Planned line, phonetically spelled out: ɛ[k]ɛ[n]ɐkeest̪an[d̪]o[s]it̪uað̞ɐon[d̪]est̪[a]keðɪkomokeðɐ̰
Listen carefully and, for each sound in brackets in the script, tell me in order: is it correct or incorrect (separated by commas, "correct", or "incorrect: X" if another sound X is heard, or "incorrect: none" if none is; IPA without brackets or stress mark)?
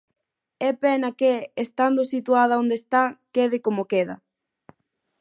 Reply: incorrect: p, correct, correct, correct, correct, correct